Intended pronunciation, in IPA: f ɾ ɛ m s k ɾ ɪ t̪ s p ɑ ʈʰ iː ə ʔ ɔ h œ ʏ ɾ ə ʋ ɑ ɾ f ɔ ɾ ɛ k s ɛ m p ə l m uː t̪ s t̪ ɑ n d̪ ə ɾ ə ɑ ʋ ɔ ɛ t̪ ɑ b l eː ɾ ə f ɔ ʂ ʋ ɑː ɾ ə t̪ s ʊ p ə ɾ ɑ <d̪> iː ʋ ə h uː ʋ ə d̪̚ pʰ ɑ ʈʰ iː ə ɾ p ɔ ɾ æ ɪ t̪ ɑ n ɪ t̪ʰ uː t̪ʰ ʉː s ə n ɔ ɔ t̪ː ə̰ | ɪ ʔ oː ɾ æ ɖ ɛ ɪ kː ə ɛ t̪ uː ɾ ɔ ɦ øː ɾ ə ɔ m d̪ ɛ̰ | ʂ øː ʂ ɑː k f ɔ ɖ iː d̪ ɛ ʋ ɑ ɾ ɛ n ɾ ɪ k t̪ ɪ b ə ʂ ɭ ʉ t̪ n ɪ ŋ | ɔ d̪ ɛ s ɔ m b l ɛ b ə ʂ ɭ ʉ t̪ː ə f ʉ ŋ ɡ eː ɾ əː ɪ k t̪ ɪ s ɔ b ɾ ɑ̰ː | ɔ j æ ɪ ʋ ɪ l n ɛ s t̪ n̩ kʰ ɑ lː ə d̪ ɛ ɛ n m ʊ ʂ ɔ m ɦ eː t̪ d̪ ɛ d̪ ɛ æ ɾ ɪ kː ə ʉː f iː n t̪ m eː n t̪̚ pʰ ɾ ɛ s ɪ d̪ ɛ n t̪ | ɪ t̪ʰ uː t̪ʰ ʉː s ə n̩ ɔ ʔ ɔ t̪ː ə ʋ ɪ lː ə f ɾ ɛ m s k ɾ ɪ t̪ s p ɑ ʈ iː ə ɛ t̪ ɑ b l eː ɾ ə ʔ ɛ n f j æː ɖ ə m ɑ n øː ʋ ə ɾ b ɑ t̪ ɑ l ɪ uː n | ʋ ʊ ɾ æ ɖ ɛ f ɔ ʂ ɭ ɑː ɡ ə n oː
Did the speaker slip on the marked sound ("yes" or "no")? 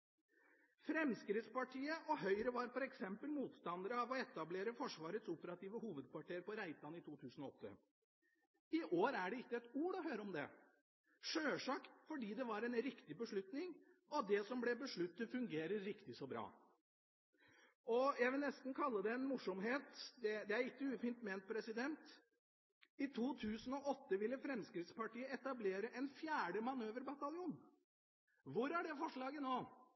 yes